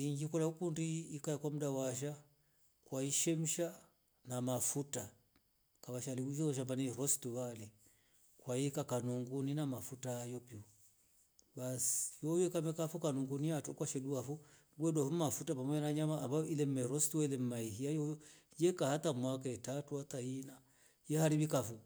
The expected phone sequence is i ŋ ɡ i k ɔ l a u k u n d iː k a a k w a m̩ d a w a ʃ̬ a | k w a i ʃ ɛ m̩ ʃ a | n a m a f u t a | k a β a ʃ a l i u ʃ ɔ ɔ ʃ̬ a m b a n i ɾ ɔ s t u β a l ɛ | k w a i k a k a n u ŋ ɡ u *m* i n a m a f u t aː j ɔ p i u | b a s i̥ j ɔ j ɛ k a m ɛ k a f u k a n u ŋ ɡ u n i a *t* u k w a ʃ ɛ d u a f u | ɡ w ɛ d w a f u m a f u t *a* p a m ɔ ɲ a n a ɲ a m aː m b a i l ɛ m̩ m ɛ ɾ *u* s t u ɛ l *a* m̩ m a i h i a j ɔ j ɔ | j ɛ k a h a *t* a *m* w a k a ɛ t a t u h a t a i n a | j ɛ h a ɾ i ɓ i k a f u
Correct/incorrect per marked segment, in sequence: incorrect, correct, correct, incorrect, incorrect, correct, correct

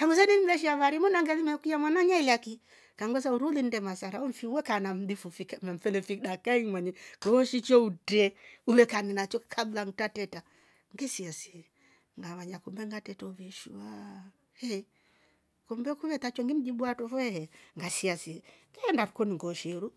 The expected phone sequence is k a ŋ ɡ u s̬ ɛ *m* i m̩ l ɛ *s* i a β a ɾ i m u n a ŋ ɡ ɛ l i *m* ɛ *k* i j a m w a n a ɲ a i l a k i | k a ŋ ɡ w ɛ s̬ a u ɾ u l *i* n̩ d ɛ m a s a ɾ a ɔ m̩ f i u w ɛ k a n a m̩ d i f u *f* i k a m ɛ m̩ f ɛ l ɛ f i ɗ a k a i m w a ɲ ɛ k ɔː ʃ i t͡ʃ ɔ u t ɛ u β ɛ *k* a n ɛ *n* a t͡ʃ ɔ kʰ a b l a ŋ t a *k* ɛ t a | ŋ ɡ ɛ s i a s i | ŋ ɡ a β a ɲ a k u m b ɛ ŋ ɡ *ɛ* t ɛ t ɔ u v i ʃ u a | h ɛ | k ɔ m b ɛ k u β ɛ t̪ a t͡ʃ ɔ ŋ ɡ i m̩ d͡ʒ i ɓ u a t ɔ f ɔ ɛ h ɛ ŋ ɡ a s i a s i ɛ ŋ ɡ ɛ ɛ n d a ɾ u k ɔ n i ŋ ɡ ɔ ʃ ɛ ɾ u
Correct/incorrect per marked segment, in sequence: incorrect, incorrect, correct, correct, correct, correct, correct, correct, incorrect, incorrect

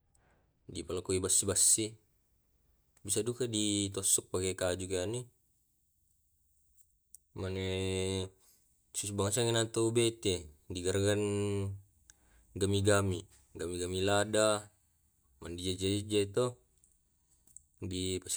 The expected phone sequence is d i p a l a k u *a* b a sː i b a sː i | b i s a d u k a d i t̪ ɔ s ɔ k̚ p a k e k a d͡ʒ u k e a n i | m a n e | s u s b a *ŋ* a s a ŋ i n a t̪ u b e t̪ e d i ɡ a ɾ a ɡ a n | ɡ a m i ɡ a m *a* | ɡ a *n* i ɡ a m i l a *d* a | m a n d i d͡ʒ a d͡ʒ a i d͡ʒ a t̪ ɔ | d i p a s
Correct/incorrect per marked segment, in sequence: incorrect, correct, incorrect, incorrect, correct

